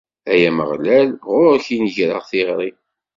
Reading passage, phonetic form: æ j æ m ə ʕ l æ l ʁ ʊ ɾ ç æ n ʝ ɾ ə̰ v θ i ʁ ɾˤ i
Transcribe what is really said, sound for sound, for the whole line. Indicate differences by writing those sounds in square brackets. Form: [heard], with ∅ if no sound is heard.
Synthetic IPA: æ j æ m ə [ʁ] l æ l ʁ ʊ ɾ ç [i] n ʝ ɾ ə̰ [ʁ] θ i ʁ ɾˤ i